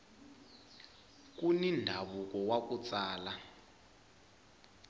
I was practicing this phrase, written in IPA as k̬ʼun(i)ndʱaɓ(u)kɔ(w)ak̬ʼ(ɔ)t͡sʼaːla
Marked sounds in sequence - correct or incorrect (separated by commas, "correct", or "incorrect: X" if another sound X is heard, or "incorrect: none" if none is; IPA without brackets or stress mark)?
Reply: correct, correct, correct, incorrect: u